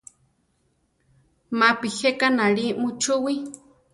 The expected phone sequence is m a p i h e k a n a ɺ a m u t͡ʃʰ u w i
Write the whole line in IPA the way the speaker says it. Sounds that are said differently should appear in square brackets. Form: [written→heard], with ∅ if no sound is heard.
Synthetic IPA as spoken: m a p i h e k a n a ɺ [a→i] m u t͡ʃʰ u w i